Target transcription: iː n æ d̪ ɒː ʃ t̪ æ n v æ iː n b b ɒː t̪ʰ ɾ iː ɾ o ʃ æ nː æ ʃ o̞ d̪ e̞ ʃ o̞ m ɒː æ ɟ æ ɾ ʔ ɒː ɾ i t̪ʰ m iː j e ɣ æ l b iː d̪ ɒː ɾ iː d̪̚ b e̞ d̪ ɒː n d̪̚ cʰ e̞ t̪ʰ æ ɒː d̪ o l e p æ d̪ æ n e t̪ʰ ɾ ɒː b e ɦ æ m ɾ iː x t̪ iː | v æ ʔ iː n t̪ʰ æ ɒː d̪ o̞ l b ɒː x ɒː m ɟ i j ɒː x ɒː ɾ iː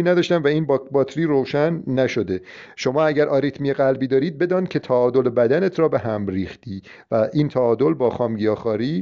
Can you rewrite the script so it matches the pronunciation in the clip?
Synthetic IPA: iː n æ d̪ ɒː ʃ t̪ æ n v æ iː n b b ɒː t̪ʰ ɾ iː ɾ o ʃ æ nː æ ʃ o̞ d̪ e̞ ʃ o̞ m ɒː æ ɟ æ ɾ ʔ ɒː ɾ i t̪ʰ m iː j e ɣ æ l b iː d̪ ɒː ɾ iː d̪̚ b e̞ d̪ ɒː n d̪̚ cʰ e̞ t̪ʰ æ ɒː d̪ o l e b æ d̪ æ n e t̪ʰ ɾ ɒː b e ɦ æ m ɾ iː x t̪ iː | v æ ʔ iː n t̪ʰ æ ɒː d̪ o̞ l b ɒː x ɒː m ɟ i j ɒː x ɒː ɾ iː